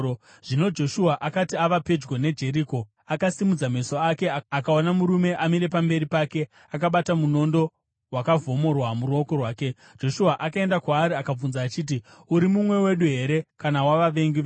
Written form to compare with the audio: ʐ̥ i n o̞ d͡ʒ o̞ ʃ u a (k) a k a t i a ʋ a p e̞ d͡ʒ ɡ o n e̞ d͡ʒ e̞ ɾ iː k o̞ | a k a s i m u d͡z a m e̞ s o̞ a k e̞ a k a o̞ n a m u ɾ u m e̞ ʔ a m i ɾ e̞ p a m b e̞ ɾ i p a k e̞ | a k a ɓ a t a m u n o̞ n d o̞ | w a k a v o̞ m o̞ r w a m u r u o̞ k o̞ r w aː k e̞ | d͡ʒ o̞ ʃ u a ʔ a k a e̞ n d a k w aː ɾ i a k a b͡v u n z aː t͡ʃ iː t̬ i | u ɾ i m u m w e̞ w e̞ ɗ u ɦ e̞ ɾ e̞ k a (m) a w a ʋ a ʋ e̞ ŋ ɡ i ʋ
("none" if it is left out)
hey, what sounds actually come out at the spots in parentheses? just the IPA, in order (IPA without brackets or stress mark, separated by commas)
ʔ, n